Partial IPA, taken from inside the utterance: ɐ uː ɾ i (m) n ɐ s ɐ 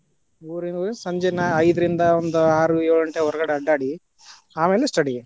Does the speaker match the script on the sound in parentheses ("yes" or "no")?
no